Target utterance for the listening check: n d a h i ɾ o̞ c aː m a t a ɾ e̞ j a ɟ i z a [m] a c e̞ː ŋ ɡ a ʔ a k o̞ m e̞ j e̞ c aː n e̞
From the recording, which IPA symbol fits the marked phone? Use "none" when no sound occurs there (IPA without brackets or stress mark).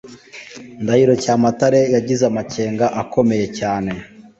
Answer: m